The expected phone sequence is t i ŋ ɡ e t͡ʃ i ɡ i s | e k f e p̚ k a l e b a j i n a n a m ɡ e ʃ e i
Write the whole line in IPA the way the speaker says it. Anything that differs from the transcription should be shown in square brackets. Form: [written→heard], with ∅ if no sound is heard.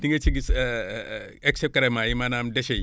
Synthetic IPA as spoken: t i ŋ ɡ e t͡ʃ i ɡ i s | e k [f→s] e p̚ k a [l→ɾ] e [b→m] a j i [n→m] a n a m [ɡ→d] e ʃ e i